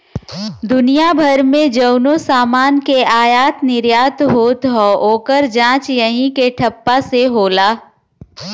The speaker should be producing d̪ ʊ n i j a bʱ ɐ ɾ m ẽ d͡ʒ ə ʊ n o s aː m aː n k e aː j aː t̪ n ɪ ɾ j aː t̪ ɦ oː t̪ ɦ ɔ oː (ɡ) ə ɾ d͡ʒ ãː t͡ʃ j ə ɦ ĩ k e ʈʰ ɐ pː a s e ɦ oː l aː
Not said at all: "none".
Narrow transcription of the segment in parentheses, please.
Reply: k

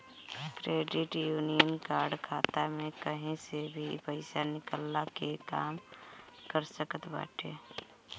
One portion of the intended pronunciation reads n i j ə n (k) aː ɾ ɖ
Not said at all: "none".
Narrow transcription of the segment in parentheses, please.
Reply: k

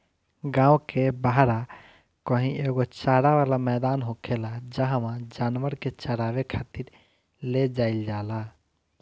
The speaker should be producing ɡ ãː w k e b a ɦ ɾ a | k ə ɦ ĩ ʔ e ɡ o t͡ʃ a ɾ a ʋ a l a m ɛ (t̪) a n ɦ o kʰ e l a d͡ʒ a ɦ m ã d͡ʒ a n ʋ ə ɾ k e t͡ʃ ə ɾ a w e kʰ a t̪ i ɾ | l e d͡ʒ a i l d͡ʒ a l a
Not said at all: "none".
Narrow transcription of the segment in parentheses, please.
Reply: d̪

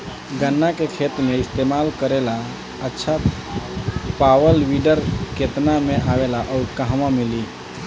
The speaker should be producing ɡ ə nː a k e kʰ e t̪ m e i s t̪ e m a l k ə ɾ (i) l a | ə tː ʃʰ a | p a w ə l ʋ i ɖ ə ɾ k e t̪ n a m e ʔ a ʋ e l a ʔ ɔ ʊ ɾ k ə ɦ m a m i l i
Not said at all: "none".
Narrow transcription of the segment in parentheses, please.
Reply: e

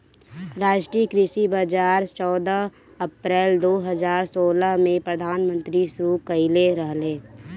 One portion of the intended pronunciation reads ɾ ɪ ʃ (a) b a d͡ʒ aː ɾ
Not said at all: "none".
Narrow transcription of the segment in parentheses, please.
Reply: i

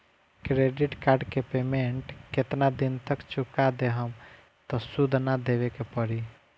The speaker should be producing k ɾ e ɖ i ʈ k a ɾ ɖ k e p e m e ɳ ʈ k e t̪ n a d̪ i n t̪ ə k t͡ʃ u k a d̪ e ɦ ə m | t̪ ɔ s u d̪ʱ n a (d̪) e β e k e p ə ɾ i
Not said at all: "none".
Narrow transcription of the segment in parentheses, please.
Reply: d̪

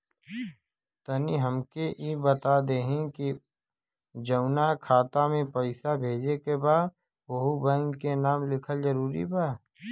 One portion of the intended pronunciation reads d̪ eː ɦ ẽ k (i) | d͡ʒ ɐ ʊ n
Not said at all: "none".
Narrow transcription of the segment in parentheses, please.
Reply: i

